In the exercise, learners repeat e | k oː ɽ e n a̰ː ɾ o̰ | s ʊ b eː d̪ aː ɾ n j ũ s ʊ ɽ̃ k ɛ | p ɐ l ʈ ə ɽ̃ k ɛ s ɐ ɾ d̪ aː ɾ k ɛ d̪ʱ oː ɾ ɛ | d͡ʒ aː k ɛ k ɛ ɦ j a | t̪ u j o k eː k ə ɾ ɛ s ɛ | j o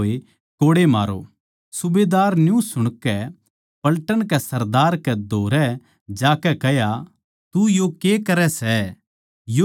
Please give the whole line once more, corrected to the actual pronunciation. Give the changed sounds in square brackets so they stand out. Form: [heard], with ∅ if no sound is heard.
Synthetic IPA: e | k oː ɽ e [m] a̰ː ɾ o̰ | s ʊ b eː d̪ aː ɾ n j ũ s ʊ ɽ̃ k ɛ | p ɐ l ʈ ə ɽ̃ k ɛ s ɐ ɾ d̪ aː ɾ k ɛ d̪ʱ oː ɾ ɛ | d͡ʒ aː k ɛ k ɛ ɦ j a | t̪ u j o k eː k [ɐ] ɾ ɛ s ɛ | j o